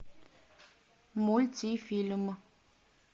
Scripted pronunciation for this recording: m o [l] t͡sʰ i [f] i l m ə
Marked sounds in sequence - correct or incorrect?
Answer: correct, correct

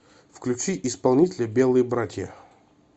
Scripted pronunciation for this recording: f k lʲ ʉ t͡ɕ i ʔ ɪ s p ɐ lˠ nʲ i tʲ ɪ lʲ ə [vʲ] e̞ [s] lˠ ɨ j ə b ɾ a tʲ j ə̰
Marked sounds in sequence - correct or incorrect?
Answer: incorrect: bʲ, incorrect: none

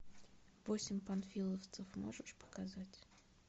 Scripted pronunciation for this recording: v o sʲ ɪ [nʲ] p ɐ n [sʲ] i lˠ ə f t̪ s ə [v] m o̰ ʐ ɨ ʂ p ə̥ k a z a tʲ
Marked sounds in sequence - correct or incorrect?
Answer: incorrect: mʲ, incorrect: fʲ, incorrect: f

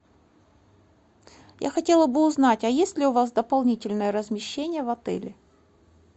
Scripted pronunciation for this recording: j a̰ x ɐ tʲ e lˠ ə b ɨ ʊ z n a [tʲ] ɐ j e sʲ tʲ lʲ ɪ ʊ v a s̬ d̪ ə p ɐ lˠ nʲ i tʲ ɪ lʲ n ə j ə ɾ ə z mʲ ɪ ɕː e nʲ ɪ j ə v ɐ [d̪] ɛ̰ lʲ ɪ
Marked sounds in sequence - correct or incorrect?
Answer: correct, incorrect: t̪

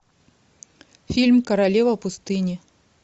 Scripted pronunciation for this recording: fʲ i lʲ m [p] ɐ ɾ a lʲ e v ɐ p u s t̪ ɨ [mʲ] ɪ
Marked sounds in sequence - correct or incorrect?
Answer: incorrect: k, incorrect: nʲ

